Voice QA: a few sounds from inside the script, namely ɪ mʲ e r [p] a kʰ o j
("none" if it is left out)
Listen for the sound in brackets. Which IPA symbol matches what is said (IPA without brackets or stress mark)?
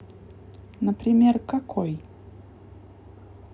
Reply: k